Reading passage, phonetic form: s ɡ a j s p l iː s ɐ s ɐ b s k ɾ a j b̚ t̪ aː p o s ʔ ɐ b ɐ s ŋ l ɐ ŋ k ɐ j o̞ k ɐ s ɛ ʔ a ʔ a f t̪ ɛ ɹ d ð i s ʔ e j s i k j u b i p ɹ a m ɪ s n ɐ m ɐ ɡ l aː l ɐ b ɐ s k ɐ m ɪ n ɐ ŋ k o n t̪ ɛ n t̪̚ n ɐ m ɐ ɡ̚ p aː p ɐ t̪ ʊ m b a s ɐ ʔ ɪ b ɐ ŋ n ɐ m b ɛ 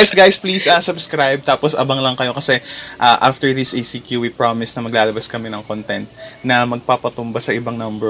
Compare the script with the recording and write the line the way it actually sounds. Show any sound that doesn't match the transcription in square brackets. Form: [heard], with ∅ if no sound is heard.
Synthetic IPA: s ɡ a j s p l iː s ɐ s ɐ b s k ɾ a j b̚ t̪ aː p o s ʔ ɐ b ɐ [∅] ŋ l ɐ ŋ k ɐ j o̞ k ɐ s ɛ ʔ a ʔ a f t̪ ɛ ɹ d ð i s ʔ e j s i k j u [w] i p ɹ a m ɪ s n ɐ m ɐ ɡ l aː l ɐ b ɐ s k ɐ m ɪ n ɐ ŋ k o n t̪ ɛ n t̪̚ n ɐ m ɐ ɡ̚ p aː p ɐ t̪ ʊ m b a s ɐ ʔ ɪ b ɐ ŋ n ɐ m b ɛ